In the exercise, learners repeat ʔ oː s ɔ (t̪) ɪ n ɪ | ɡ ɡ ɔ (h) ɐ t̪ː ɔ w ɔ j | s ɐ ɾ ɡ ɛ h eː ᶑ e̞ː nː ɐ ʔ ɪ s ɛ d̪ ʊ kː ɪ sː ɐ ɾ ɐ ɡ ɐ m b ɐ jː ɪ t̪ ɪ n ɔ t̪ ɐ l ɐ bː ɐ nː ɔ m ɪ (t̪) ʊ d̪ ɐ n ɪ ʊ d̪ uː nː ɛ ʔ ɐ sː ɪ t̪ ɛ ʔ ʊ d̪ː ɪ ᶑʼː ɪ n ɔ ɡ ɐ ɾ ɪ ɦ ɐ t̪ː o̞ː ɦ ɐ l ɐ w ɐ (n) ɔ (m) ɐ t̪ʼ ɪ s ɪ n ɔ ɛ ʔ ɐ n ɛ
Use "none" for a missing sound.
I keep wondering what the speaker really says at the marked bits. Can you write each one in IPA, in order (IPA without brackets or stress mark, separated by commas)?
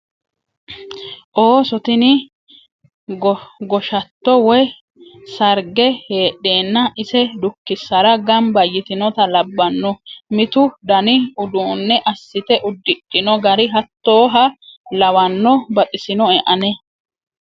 t̪, ʃ, t̪, nː, b